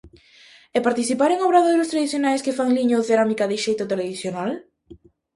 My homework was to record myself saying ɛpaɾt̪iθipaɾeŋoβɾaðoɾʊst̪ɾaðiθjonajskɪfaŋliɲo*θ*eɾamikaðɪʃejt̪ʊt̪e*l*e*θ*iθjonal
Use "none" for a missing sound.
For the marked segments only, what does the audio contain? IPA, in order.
θ, l, ð

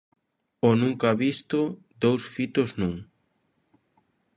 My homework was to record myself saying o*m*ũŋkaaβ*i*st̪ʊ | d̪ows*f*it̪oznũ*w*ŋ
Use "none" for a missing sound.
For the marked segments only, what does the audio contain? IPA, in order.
n, i, f, none

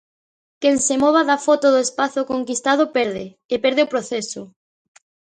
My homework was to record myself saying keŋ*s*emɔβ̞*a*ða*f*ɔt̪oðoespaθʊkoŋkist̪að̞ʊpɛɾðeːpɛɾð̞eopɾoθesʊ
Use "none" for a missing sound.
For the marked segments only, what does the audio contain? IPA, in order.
s, a, f

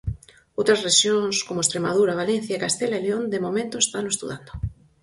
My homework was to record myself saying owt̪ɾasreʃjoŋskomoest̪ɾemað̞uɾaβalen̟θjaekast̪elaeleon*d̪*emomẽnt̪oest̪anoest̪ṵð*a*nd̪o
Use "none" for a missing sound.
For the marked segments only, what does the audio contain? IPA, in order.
d̪, a

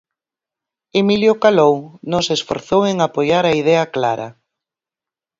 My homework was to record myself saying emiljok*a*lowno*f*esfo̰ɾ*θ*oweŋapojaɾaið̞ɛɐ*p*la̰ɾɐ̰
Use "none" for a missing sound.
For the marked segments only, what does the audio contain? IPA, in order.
a, s, θ, k

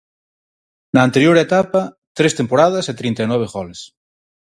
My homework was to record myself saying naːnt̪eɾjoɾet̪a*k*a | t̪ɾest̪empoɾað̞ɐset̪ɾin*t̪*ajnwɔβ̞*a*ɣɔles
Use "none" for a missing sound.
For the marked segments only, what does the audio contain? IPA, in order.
p, t̪, e

